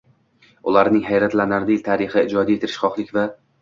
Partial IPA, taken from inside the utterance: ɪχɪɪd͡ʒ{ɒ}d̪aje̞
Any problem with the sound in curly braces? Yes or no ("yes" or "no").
no